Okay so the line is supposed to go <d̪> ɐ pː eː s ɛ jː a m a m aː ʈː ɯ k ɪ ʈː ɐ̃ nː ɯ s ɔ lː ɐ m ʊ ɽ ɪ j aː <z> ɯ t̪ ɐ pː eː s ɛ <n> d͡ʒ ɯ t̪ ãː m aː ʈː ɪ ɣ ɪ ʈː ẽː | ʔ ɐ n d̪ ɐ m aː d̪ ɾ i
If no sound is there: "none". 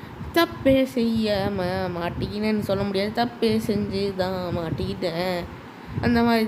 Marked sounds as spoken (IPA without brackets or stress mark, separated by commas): t̪, ð, ɲ